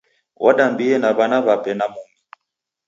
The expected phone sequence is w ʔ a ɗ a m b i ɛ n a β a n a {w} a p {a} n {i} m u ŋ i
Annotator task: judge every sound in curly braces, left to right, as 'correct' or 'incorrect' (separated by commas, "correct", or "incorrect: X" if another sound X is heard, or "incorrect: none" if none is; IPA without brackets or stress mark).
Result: incorrect: β, incorrect: ɛ, incorrect: a